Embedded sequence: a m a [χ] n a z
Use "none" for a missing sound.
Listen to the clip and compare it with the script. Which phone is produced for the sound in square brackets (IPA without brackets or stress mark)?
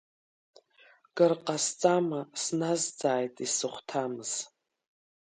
s